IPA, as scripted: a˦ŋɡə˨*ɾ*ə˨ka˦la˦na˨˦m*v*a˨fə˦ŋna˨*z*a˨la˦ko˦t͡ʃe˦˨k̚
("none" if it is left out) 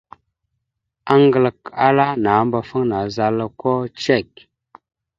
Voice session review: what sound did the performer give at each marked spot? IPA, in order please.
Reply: l, b, z

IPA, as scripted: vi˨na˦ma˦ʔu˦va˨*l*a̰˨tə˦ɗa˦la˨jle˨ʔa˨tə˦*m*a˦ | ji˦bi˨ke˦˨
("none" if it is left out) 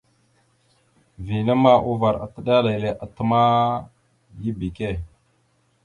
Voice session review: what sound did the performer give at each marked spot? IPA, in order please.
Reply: ɾ, m

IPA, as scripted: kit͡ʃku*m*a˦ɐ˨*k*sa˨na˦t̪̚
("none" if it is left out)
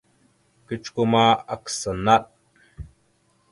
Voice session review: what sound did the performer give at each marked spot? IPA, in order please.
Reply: m, k

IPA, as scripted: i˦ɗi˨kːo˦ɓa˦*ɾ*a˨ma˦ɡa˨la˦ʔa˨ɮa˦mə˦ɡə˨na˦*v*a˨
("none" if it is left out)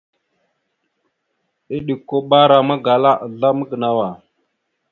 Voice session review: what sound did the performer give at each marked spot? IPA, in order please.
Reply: ɾ, w

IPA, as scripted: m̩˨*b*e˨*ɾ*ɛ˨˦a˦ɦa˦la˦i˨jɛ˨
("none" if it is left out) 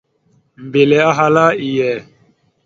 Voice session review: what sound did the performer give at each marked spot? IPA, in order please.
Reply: b, l

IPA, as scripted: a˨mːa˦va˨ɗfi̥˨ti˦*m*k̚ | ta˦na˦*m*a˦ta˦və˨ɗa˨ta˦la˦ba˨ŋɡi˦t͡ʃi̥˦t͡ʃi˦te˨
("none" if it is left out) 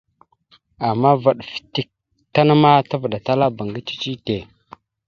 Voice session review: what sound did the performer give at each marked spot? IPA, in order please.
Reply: none, m

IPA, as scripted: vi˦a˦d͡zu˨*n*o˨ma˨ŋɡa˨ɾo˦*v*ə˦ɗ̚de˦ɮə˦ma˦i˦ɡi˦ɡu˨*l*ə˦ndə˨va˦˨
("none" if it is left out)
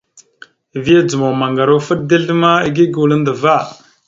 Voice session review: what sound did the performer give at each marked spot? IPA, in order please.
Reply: m, f, l

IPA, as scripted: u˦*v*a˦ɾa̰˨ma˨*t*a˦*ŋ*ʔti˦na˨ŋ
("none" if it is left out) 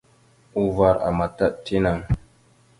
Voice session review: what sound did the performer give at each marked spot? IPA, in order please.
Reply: v, t, none

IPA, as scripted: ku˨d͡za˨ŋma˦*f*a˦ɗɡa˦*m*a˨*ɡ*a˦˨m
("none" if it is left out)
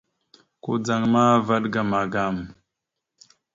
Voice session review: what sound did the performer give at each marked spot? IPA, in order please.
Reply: v, m, ɡ

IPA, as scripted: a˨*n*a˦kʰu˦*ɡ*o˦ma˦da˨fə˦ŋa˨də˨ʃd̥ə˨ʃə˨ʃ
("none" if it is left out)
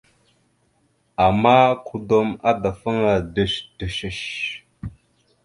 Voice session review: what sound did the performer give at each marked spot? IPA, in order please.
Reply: m, d

